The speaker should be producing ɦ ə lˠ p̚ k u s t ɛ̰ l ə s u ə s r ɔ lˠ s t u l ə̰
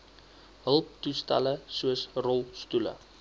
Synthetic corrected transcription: ɦ ə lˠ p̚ t u s t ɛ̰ l ə s u ə s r ɔ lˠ s t u l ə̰